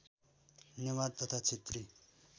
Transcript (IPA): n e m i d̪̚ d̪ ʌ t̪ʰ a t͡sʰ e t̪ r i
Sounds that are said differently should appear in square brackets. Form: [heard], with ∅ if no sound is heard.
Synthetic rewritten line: n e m [a] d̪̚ [t̪] ʌ t̪ʰ a t͡sʰ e t̪ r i

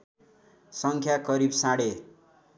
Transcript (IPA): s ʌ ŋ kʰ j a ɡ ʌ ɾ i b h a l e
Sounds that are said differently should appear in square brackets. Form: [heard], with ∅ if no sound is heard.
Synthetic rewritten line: s ʌ ŋ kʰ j a [k] ʌ ɾ i b [s] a [ɽ] e

